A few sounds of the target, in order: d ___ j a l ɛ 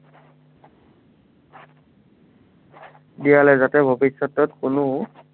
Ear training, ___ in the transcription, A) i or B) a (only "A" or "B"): A